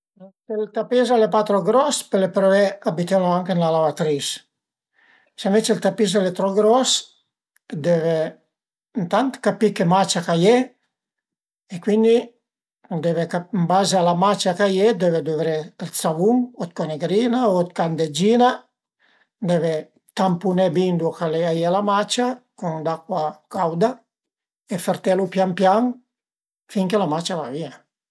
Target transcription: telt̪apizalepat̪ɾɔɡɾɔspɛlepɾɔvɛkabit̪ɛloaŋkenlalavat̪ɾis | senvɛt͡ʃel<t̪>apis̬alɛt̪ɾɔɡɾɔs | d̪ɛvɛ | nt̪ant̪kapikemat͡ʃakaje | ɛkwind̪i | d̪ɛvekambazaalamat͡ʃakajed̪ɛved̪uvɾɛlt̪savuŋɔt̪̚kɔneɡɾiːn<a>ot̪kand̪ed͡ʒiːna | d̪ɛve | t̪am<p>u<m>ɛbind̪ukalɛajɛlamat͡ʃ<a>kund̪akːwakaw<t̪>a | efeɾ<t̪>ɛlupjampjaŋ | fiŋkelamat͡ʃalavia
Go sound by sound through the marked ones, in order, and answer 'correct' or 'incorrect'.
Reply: correct, correct, correct, incorrect: n, correct, incorrect: d̪, correct

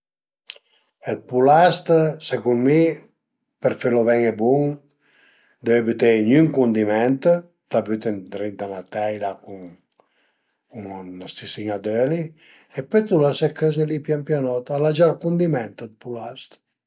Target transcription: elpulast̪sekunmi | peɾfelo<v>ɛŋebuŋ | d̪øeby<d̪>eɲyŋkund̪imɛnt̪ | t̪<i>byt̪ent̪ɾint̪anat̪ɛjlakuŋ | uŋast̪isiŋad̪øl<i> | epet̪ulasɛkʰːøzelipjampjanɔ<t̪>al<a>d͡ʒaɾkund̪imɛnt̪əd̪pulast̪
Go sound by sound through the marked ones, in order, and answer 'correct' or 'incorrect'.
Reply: correct, incorrect: t̪, incorrect: a, correct, correct, correct

